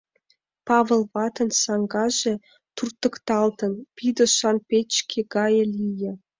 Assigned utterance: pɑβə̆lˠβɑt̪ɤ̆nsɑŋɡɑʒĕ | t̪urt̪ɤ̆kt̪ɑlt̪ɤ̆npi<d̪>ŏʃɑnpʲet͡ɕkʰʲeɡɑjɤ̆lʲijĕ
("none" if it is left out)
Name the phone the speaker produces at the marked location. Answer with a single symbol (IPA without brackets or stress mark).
d̪